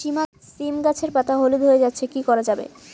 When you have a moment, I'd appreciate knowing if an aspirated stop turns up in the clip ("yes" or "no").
yes